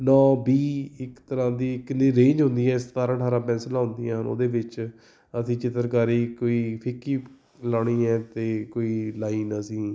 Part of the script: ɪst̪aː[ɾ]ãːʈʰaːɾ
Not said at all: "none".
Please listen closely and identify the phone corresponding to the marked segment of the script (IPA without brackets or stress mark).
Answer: ɾ